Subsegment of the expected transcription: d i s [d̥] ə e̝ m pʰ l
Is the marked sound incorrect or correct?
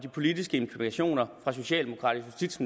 incorrect